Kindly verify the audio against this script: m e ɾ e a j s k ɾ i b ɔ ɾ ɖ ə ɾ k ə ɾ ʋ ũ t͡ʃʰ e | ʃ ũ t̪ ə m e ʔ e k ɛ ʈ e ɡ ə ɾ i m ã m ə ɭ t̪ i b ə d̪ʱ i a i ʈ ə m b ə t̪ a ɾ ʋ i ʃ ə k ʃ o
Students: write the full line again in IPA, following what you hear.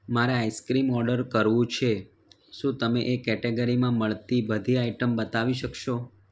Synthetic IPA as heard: m a ɾ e a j s k ɾ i m ɔ ɾ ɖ ə ɾ k ə ɾ ʋ ũ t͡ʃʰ e | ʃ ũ t̪ ə m e ʔ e k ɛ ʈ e ɡ ə ɾ i m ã m ə ɭ t̪ i b ə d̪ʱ i a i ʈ ə m b ə t̪ a ʋ i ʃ ə k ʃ o